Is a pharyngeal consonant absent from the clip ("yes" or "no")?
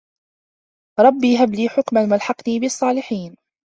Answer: no